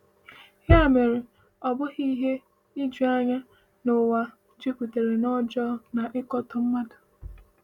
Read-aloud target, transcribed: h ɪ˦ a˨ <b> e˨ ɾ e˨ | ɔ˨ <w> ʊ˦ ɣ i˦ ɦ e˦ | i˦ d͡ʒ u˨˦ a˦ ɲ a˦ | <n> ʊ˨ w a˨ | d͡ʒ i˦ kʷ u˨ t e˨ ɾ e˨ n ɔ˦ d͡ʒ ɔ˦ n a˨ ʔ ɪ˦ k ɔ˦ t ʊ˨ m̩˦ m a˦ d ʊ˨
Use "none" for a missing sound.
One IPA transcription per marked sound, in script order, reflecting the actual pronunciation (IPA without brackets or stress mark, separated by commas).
m, b, n